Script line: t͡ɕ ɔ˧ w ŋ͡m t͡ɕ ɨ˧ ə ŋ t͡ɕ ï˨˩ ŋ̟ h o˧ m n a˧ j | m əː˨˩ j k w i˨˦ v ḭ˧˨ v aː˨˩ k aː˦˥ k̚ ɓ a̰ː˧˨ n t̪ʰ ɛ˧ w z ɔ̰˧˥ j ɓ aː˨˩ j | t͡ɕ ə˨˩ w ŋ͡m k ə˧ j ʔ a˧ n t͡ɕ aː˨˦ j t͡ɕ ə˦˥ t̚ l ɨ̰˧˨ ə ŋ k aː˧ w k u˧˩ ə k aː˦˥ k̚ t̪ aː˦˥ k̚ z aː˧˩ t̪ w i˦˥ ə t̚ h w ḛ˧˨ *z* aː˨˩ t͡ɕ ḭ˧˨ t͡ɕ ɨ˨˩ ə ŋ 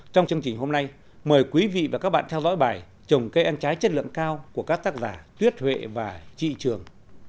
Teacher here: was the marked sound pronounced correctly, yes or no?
no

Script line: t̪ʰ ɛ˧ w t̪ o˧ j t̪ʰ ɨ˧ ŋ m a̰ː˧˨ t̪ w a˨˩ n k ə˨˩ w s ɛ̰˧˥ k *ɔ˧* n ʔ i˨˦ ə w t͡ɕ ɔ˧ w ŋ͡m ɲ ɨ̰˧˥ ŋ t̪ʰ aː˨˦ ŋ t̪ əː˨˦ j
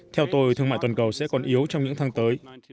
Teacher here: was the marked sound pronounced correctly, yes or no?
no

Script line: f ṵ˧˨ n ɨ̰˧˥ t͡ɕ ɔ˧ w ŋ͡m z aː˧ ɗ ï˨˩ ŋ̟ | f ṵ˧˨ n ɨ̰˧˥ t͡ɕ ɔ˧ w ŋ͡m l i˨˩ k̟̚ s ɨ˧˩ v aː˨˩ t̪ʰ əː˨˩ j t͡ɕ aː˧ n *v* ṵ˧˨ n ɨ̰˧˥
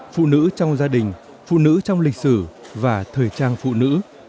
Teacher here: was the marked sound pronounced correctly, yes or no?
no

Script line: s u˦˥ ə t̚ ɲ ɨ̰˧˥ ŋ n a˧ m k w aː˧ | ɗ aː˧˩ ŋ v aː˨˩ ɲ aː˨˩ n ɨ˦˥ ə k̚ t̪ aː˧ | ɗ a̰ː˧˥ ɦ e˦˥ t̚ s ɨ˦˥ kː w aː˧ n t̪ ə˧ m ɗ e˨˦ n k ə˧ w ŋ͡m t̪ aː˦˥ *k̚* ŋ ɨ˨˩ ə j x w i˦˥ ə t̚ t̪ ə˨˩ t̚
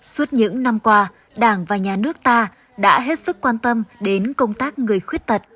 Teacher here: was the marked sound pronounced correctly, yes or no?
yes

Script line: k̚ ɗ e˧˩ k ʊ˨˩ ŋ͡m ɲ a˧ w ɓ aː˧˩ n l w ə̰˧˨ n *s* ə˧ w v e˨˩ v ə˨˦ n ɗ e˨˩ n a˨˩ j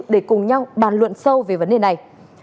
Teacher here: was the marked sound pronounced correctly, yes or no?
yes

